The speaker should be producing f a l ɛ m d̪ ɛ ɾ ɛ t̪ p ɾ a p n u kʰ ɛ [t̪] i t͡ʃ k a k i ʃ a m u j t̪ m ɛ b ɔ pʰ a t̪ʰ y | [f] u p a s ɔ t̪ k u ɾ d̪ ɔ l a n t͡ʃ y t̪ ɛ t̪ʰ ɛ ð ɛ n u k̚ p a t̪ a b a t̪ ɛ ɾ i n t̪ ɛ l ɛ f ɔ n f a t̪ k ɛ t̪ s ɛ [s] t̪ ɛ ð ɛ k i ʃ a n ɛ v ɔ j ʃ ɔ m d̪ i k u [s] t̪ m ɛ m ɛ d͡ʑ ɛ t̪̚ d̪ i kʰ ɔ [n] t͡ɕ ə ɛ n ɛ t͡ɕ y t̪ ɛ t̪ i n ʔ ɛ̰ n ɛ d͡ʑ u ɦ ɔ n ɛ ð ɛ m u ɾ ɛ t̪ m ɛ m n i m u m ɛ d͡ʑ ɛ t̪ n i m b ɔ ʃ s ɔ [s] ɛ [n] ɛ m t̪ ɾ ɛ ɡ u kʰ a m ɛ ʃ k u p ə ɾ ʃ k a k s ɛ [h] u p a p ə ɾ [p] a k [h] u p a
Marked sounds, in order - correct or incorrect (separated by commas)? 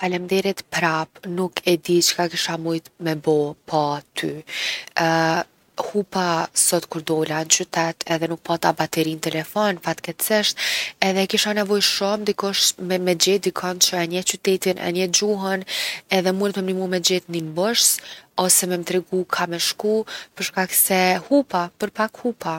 incorrect, incorrect, incorrect, incorrect, correct, correct, incorrect, correct, correct, correct